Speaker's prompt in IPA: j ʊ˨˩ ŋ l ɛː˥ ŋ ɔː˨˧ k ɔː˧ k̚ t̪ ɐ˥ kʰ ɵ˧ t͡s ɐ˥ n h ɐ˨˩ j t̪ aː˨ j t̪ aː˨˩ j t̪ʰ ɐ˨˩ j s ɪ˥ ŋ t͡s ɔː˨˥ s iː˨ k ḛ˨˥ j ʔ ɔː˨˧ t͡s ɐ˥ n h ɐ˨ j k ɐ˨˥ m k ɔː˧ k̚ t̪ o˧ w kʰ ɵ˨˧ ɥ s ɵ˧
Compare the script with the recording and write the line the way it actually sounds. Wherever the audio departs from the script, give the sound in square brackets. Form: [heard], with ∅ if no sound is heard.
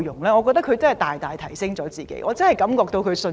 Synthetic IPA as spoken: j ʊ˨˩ ŋ l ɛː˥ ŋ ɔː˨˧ k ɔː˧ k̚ t̪ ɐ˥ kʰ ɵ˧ t͡s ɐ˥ n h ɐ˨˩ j t̪ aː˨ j t̪ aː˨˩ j t̪ʰ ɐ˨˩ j s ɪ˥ ŋ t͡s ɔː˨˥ [t͡s] iː˨ k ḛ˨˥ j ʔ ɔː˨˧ t͡s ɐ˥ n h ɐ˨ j k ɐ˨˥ m k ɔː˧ k̚ t̪ o˧ w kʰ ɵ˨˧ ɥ s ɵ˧

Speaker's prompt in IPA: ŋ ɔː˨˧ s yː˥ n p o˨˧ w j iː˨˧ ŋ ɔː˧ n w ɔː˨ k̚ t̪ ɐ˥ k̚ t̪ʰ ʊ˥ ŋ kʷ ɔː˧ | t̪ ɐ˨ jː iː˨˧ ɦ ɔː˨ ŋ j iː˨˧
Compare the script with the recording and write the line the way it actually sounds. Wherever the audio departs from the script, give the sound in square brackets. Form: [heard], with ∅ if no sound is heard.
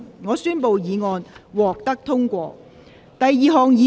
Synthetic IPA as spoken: ŋ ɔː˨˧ s yː˥ n p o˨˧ w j iː˨˧ ŋ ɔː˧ n w ɔː˨ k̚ t̪ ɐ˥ k̚ t̪ʰ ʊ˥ ŋ kʷ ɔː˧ | t̪ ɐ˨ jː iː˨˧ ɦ ɔː˨ ŋ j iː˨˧

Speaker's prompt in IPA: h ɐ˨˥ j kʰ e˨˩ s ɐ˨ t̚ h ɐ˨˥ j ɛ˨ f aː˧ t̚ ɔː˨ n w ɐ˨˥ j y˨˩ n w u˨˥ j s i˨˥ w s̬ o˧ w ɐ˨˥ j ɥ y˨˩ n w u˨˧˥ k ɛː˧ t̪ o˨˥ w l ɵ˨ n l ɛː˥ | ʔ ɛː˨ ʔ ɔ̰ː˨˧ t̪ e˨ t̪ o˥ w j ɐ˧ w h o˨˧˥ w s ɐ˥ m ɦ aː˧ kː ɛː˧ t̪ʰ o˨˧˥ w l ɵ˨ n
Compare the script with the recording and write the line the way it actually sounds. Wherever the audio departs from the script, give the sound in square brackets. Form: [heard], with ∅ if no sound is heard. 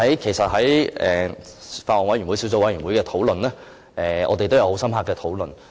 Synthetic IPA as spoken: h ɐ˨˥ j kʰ e˨˩ s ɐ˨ t̚ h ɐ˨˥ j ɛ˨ f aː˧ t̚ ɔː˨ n w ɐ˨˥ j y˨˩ n w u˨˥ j s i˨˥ w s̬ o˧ w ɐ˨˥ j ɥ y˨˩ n w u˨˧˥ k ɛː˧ [t̪ʰ] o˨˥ w l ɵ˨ n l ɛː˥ | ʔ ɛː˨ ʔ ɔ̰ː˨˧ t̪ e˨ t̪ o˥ w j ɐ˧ w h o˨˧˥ w s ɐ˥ m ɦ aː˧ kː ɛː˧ t̪ʰ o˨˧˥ w l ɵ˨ n

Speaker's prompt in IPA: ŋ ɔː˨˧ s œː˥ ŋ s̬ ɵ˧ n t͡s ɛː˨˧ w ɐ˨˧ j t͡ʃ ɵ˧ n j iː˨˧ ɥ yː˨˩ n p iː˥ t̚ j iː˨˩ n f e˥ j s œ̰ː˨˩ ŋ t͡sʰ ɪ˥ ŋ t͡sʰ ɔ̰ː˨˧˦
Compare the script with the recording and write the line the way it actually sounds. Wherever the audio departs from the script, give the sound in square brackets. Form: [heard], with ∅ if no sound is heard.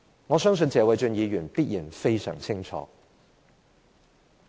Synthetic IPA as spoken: ŋ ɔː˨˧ s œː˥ ŋ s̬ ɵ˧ n t͡s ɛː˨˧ w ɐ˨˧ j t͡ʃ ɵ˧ n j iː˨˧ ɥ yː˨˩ n p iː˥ t̚ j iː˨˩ n f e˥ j s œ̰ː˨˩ ŋ t͡sʰ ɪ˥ ŋ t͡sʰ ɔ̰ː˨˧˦

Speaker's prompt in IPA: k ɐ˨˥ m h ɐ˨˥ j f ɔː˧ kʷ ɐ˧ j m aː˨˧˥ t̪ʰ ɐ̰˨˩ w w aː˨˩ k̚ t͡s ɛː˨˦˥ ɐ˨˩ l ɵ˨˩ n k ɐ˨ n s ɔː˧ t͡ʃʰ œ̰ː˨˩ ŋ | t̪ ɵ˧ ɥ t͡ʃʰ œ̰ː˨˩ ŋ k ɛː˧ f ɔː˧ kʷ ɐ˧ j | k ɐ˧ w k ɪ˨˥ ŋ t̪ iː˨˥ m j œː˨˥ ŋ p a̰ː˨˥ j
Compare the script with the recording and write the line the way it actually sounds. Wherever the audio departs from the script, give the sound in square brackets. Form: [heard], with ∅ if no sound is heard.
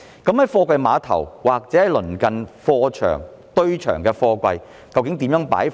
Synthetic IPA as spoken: k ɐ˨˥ m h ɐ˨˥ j f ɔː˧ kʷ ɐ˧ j m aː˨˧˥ t̪ʰ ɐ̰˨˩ w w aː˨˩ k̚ t͡s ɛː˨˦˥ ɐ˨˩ l ɵ˨˩ n k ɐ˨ n [f] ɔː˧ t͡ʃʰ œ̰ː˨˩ ŋ | t̪ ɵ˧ ɥ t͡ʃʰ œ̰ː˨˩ ŋ k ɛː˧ f ɔː˧ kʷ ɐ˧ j | k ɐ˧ w k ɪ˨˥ ŋ t̪ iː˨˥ m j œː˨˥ ŋ p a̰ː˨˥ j

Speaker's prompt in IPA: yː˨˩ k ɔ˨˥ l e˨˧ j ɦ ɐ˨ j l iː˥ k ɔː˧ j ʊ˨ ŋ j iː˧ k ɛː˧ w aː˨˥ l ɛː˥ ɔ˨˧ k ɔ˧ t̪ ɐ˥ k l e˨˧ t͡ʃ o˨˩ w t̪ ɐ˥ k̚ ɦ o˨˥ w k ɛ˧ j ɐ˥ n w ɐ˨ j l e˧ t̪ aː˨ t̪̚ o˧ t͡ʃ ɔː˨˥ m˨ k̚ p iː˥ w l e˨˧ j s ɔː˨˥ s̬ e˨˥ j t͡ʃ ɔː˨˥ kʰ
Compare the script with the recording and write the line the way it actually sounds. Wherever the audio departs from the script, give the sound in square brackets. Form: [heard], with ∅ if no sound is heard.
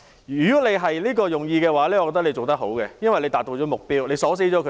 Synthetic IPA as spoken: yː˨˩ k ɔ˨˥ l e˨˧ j ɦ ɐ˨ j l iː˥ k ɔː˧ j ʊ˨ ŋ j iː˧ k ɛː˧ w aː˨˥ l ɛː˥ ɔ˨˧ k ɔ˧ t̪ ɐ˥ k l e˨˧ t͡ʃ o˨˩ w t̪ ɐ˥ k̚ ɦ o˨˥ w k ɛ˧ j ɐ˥ n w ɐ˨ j l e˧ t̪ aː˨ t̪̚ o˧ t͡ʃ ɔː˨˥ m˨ k̚ p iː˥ w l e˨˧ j s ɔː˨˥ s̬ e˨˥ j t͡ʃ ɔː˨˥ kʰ

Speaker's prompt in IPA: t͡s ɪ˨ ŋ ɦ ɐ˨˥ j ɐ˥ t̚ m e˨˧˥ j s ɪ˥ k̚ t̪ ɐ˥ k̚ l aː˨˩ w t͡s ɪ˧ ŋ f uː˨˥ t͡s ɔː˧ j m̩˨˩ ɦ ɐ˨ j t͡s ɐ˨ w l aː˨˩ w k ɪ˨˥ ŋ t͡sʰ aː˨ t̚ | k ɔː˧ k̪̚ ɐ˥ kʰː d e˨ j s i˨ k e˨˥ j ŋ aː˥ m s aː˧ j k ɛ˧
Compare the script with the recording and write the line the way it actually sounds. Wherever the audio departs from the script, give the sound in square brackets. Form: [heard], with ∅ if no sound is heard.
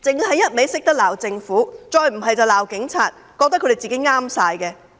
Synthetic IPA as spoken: t͡s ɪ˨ ŋ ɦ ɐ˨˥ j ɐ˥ t̚ m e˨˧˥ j s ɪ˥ k̚ t̪ ɐ˥ k̚ l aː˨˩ w t͡s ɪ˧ ŋ f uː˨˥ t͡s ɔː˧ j m̩˨˩ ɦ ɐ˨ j t͡s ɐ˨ w l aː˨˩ w k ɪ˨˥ ŋ t͡sʰ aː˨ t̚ | k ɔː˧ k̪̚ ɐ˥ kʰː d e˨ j [t͡s] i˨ k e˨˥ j ŋ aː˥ m s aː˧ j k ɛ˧

